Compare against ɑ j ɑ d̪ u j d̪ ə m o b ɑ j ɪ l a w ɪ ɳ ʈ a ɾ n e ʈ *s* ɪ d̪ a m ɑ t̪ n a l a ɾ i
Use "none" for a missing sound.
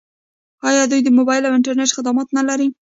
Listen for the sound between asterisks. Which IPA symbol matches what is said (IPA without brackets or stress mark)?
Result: x